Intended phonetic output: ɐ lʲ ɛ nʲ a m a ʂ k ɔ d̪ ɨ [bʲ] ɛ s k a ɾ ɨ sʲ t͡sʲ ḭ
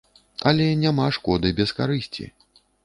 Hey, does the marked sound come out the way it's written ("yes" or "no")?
yes